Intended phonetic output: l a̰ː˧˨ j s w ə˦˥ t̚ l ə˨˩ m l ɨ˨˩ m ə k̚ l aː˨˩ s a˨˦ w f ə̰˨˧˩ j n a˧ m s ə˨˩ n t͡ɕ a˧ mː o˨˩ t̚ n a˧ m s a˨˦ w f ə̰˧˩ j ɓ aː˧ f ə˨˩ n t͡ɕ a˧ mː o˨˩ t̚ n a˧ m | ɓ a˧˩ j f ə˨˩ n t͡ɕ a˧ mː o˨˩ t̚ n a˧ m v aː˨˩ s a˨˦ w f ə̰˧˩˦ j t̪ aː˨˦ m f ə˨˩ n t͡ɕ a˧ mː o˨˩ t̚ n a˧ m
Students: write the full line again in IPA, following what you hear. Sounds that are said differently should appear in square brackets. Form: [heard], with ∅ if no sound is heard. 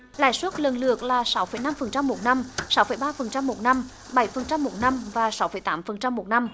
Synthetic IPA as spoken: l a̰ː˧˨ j s w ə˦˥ t̚ l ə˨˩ [n] l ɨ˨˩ [∅] ə k̚ l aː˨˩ s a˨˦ w f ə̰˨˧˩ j n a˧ m [f] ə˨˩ n t͡ɕ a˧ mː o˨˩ t̚ n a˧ m s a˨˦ w f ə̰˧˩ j ɓ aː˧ f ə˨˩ n t͡ɕ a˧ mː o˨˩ t̚ n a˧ m | ɓ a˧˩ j f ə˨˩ n t͡ɕ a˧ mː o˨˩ t̚ n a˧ m v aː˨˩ s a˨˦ w f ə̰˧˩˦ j t̪ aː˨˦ m f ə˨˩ n t͡ɕ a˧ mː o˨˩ t̚ n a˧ m